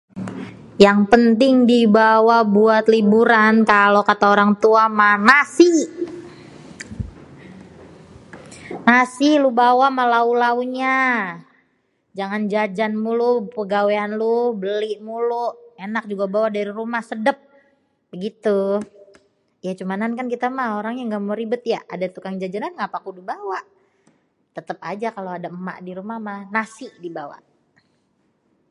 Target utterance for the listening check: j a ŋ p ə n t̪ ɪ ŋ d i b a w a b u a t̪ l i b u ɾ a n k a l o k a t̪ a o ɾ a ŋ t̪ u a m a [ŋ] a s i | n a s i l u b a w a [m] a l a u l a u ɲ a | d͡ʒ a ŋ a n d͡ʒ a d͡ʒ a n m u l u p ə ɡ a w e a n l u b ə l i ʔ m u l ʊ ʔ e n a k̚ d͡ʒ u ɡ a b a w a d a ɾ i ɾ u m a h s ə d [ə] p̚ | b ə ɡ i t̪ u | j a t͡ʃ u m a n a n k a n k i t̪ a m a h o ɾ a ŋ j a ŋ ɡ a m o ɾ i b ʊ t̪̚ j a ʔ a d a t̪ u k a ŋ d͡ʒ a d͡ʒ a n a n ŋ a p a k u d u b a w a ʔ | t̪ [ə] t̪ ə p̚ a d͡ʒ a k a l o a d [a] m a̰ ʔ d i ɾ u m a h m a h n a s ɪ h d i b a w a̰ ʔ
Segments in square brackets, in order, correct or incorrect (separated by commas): incorrect, correct, correct, correct, correct